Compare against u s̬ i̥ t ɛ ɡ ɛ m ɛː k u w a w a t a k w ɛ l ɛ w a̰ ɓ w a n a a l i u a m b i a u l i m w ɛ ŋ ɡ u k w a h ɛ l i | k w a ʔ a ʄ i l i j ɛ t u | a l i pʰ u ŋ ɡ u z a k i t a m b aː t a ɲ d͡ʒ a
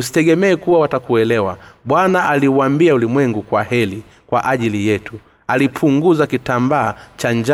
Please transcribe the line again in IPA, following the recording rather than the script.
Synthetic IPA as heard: u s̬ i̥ t ɛ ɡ ɛ m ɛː k u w a w a t a k u ɛ l ɛ w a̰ ɓ w a n a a l i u a m b i a u l i m w ɛ ŋ ɡ u k w a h ɛ l i | k w a ʔ a ʄ i l i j ɛ t u | a l i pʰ u ŋ ɡ u z a k i t a m b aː t͡ʃ a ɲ d͡ʒ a